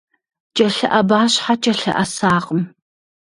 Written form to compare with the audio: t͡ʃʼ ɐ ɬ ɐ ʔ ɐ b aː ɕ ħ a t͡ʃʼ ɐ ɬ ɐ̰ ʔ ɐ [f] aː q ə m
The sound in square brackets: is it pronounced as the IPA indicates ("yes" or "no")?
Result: no